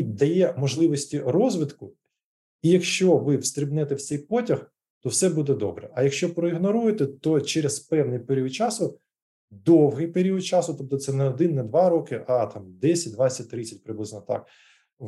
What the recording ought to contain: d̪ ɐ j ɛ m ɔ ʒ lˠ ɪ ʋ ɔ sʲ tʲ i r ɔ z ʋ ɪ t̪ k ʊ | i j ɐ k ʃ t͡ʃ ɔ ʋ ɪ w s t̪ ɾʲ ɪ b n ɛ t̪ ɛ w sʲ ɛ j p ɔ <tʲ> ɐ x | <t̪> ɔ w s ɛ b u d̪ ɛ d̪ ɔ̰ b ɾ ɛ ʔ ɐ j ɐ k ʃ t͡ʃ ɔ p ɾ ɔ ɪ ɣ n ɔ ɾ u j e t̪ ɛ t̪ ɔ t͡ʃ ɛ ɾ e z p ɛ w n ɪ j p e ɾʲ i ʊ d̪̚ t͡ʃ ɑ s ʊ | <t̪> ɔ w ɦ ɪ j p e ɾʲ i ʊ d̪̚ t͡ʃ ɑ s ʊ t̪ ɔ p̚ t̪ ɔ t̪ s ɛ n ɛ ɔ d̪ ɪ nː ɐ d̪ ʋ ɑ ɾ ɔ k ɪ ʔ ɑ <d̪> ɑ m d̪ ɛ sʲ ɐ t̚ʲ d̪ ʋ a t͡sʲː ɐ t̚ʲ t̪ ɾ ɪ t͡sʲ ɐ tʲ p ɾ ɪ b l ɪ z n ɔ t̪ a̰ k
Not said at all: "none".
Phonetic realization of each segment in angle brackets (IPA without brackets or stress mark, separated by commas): tʲ, t̪, d̪, t̪